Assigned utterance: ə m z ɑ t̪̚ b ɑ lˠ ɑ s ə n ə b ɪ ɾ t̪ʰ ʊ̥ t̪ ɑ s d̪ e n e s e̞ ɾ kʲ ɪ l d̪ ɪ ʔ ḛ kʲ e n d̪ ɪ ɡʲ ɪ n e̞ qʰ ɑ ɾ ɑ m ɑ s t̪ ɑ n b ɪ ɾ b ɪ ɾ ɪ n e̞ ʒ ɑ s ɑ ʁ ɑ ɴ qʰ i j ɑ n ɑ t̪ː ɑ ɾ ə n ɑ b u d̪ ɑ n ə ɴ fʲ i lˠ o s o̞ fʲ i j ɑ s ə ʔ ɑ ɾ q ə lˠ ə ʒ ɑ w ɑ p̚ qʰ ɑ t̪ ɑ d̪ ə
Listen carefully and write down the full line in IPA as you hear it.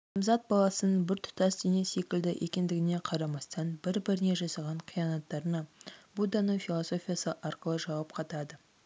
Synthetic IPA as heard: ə m z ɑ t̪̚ b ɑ lˠ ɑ s ə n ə b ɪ ɾ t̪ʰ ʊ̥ t̪ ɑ s d̪ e n e s e̞ kʲ ɪ l d̪ ɪ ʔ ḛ kʲ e n d̪ ɪ ɡʲ ɪ n e̞ qʰ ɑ ɾ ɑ m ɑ s t̪ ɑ n b ɪ ɾ b ɪ ɾ ɪ n e̞ ʒ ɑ s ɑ ʁ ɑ ɴ qʰ i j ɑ n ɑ t̪ː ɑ ɾ ə n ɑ b u d̪ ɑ n ə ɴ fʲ i lˠ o s o̞ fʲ i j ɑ s ə ʔ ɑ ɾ q ə lˠ ə ʒ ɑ w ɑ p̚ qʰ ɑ t̪ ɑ d̪ ə